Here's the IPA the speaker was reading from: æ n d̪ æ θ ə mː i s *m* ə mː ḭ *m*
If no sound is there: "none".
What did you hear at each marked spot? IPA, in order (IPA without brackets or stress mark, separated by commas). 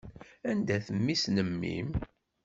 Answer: n, m